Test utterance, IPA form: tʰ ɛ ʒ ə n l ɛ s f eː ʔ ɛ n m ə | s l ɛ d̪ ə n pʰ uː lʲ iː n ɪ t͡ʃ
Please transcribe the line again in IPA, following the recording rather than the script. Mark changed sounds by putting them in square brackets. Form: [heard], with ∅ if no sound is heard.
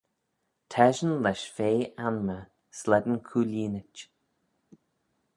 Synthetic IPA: tʰ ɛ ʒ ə n l ɛ [ʃ] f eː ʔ [a] n m ə | s l ɛ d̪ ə n [kʰ] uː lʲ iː n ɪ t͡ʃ